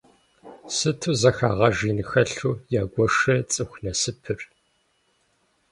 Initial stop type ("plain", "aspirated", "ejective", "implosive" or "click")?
aspirated